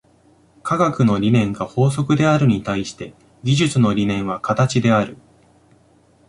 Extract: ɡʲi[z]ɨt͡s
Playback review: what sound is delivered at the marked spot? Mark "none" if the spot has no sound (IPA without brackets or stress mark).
ʑ